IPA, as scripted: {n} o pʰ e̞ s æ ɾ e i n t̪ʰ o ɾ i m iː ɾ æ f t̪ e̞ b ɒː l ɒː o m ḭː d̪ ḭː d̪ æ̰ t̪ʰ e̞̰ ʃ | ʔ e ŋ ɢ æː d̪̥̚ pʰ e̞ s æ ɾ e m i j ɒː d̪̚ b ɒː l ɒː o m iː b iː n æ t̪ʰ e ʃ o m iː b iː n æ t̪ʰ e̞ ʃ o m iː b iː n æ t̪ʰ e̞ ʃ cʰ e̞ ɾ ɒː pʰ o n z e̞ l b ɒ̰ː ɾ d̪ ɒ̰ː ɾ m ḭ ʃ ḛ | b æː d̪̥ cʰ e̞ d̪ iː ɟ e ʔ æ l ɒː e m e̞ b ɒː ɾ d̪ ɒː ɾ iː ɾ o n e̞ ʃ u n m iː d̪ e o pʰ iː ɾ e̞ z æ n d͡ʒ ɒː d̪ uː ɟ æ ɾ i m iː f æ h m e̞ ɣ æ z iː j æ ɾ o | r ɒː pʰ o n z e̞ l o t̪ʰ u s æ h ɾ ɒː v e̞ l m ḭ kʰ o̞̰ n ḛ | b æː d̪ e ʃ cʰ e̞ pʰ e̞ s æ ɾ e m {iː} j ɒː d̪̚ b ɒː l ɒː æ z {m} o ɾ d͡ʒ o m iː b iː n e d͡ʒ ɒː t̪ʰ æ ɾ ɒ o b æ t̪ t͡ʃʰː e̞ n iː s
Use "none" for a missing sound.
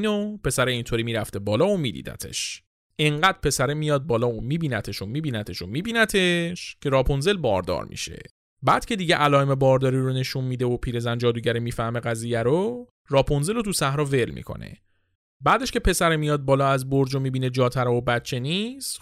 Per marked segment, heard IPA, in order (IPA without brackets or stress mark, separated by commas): n, i, b